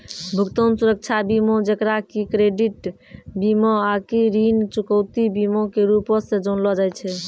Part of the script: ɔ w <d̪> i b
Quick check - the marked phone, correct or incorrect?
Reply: incorrect